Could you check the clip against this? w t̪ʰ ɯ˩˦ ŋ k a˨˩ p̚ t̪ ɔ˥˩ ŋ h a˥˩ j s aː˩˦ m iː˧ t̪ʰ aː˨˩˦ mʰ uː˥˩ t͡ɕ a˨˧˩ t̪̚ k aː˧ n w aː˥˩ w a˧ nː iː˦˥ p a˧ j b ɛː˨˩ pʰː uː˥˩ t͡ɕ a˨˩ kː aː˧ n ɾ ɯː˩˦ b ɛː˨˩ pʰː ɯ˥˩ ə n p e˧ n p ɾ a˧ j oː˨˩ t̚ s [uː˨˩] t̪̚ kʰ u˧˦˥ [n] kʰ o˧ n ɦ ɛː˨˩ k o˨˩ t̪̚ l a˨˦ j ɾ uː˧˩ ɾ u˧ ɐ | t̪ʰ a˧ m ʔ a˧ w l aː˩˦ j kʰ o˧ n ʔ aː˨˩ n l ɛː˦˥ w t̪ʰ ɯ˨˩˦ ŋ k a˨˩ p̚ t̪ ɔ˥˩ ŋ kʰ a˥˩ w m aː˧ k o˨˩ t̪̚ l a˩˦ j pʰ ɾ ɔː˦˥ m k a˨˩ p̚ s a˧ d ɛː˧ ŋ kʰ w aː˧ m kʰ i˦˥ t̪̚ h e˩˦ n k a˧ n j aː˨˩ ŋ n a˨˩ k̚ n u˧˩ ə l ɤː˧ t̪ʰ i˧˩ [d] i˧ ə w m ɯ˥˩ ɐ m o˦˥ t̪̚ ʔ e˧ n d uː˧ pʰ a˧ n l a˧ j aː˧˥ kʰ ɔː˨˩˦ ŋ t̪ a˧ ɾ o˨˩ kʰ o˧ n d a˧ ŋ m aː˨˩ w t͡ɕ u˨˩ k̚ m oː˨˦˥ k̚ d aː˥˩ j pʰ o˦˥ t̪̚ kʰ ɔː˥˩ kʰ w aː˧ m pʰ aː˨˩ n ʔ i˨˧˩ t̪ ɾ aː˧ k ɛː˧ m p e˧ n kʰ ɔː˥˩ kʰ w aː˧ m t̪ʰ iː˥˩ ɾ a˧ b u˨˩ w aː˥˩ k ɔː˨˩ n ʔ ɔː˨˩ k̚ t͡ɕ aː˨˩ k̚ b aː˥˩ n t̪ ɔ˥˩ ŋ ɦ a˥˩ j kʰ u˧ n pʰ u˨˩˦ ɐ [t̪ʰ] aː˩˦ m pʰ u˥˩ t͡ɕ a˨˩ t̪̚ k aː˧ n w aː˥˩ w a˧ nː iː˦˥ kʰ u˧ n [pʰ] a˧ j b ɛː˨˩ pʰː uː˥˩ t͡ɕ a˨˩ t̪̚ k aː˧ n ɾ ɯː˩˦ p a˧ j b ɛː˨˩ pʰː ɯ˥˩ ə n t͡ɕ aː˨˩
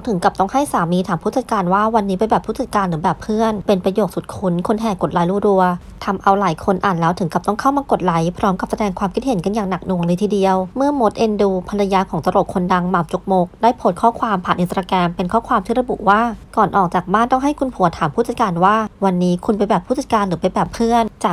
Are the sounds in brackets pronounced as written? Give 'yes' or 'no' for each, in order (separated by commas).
no, yes, yes, yes, no